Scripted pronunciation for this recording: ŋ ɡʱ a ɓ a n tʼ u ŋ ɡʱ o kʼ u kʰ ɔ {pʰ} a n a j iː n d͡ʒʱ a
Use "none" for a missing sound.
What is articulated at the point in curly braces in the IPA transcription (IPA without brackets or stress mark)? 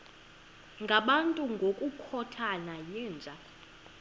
tʰ